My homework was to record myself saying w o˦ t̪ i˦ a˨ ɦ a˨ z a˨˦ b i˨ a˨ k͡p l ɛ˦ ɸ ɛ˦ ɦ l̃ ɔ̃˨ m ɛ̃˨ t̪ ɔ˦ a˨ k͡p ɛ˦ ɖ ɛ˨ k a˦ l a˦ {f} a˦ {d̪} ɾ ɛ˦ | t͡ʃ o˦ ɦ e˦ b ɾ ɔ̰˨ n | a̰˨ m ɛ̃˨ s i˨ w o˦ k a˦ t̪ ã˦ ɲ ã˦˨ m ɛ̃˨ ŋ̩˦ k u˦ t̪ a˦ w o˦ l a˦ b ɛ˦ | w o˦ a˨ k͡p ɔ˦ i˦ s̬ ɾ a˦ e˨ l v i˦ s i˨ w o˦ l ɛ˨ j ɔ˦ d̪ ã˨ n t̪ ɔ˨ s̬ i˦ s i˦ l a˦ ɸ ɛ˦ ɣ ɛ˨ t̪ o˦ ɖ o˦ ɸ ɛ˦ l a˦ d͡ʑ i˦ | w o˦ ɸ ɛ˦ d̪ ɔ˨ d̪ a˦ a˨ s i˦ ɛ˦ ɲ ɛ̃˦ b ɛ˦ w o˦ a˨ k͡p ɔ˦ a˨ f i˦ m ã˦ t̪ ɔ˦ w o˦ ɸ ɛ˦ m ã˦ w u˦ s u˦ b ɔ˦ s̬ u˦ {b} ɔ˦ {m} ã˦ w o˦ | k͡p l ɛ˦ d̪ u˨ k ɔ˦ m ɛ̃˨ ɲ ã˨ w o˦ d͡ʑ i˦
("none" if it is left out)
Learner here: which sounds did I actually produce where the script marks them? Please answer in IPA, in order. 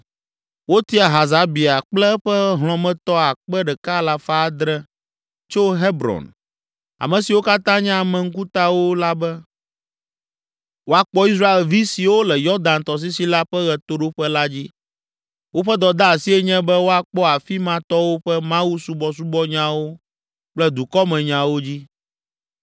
f, d̪, b, ɲ

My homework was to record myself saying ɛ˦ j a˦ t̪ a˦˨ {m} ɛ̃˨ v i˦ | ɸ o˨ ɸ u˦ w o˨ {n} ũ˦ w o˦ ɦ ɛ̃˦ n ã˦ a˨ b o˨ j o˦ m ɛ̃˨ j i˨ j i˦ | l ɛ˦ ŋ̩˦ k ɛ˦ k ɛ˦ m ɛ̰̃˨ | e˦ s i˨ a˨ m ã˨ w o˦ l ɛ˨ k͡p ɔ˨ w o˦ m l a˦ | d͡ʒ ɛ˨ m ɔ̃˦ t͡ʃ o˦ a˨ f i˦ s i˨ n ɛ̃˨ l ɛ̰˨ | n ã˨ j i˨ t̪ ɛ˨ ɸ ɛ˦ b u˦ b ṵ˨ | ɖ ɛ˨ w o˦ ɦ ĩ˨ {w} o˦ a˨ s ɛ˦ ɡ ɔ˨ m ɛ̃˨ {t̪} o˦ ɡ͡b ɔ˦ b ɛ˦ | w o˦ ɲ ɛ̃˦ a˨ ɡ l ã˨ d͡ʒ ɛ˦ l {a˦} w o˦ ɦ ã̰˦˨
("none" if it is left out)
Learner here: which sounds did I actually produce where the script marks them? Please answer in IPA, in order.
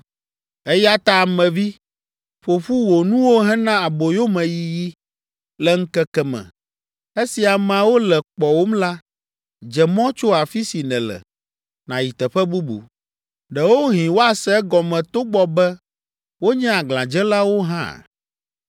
m, n, w, t̪, a˦

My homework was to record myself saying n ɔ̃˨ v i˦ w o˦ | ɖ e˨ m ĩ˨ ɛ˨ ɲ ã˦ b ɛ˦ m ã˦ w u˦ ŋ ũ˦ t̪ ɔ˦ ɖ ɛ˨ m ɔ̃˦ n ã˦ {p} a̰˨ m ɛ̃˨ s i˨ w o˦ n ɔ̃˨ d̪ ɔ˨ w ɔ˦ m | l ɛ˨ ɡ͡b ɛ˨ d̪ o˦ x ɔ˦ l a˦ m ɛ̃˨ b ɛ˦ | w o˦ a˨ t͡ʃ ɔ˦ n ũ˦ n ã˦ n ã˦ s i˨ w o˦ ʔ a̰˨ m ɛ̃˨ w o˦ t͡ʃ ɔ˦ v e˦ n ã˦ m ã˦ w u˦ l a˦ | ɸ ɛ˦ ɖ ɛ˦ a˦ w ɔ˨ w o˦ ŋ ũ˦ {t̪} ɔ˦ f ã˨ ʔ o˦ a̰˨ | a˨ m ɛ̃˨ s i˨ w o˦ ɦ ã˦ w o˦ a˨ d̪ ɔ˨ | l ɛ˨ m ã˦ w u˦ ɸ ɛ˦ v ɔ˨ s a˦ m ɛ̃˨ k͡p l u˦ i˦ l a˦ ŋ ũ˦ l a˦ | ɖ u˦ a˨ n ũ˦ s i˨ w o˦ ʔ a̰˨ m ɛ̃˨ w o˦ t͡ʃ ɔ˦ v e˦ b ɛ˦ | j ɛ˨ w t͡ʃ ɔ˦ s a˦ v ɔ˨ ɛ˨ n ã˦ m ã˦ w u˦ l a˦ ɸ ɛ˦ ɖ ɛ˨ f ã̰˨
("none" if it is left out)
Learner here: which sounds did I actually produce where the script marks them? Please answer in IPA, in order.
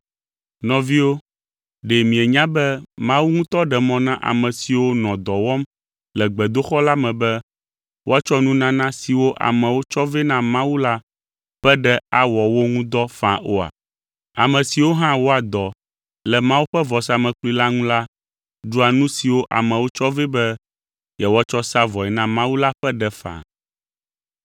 ʔ, d̪

